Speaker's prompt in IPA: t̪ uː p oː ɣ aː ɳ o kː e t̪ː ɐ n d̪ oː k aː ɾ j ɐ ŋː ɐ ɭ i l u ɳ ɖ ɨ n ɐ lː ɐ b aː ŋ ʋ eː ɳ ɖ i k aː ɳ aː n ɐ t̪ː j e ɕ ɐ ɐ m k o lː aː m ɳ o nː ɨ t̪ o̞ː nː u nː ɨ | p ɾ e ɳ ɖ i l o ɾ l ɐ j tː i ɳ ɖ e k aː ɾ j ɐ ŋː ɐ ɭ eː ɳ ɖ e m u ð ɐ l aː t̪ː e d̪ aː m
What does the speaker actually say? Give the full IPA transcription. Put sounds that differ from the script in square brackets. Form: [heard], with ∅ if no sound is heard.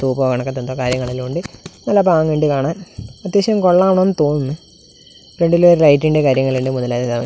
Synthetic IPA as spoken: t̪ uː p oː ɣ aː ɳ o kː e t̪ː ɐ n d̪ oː k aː ɾ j ɐ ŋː ɐ ɭ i l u ɳ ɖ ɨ n ɐ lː ɐ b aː ŋ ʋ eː ɳ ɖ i k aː ɳ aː n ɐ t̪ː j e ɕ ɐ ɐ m k o [ɭː] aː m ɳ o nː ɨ t̪ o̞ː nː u nː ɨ | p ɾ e ɳ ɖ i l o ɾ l ɐ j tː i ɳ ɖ e k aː ɾ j ɐ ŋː ɐ ɭ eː ɳ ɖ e m u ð ɐ l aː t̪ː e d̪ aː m